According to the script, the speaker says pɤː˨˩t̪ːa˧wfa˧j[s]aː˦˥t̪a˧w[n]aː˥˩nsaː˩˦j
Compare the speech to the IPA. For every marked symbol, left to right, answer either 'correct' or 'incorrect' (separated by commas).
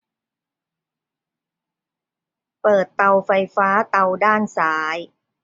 incorrect, incorrect